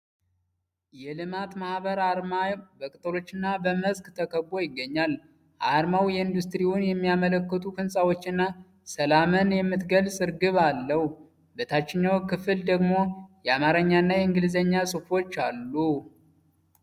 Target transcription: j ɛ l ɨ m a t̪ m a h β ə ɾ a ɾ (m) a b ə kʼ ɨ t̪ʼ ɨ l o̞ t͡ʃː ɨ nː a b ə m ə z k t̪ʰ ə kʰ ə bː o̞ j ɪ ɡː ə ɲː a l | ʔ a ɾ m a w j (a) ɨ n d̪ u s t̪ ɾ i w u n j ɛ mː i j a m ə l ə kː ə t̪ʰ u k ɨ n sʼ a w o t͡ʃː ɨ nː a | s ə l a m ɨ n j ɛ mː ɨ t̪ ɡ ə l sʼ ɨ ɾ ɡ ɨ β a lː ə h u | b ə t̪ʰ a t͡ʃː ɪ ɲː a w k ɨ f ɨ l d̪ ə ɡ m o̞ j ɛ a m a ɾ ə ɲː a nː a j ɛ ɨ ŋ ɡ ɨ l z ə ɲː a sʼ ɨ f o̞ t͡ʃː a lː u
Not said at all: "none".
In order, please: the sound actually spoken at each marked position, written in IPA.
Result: m, ɛ

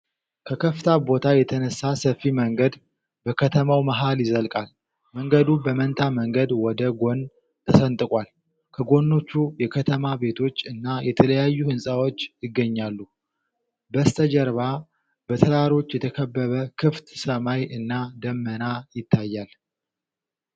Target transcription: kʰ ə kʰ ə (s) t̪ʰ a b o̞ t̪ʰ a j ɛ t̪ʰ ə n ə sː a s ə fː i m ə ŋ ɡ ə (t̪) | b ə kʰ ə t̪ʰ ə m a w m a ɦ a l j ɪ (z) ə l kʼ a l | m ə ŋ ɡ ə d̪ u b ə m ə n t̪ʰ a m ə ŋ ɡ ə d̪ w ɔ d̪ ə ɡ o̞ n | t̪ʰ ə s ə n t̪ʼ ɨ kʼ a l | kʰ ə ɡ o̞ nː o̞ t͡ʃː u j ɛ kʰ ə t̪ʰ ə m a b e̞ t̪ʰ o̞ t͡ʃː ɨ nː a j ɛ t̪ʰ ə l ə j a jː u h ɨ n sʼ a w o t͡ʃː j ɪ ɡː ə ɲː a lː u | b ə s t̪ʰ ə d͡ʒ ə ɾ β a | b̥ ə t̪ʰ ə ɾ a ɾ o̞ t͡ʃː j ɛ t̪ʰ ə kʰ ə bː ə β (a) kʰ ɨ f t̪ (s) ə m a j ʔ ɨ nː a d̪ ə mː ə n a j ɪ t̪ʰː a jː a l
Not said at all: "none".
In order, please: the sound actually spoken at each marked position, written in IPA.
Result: f, d̪, z, ə, s

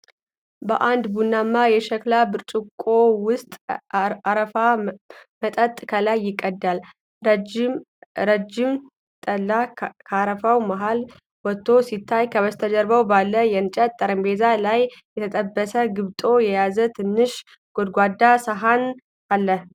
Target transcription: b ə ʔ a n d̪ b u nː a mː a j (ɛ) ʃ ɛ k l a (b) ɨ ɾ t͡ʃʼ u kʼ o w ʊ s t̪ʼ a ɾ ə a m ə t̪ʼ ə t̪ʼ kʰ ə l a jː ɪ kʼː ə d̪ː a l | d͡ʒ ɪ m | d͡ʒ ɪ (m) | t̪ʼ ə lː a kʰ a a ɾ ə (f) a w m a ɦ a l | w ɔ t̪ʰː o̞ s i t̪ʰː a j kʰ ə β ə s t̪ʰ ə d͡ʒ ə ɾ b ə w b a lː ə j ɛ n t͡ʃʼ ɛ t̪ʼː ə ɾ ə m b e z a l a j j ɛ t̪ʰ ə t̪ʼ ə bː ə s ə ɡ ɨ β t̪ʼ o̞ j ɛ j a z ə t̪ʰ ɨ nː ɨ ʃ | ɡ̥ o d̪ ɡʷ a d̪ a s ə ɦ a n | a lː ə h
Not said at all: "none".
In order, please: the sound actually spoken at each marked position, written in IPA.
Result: ɛ, b, m, f

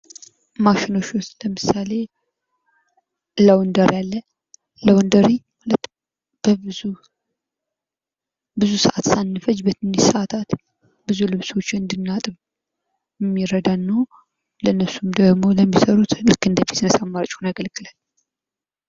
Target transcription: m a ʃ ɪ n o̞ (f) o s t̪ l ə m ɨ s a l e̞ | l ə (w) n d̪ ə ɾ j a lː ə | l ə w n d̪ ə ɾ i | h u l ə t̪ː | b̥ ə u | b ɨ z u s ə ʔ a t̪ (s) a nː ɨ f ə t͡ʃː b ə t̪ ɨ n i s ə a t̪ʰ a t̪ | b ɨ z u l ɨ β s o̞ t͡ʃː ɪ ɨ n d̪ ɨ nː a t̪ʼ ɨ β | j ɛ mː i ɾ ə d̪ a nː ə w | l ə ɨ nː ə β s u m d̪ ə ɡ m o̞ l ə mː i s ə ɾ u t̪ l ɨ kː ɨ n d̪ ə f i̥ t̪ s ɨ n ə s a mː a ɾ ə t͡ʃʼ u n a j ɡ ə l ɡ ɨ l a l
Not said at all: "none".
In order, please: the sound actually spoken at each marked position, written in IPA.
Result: ʃ, w, s

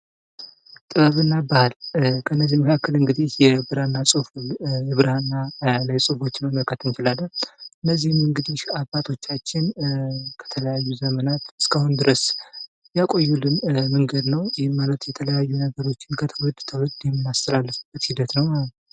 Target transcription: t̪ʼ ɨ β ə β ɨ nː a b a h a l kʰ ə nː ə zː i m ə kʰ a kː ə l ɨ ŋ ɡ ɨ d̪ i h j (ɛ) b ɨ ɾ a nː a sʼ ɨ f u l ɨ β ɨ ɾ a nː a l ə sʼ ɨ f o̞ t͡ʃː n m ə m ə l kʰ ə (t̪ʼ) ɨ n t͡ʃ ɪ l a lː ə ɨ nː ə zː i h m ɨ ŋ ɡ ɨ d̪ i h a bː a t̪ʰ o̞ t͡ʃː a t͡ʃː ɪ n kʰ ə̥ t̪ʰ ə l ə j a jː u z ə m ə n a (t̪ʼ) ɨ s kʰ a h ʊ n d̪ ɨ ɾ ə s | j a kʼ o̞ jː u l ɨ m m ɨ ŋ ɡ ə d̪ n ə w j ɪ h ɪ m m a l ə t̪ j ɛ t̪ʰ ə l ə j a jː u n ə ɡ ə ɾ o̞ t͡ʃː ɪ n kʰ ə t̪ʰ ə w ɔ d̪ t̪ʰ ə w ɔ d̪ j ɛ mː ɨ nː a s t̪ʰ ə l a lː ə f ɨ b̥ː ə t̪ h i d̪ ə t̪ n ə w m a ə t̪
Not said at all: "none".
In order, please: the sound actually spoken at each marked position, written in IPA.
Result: ɛ, t̪, t̪

